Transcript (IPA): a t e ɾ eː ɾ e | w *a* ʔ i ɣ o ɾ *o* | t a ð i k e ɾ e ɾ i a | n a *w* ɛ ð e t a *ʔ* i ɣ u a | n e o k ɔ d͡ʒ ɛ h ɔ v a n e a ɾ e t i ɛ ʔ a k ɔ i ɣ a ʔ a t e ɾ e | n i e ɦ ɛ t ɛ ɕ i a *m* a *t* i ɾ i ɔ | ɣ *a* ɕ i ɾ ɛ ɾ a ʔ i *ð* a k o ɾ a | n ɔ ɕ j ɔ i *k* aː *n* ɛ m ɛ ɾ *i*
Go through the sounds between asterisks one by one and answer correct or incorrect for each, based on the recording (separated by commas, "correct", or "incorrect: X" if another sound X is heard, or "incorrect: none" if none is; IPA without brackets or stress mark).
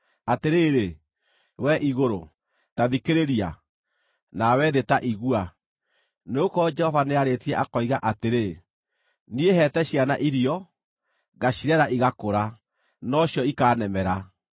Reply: incorrect: ɛ, correct, correct, correct, incorrect: n, incorrect: ʔ, correct, incorrect: ɣ, correct, correct, incorrect: a